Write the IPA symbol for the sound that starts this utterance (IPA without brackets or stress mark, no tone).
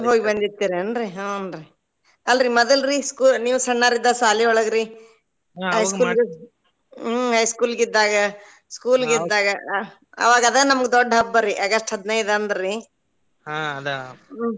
ɦ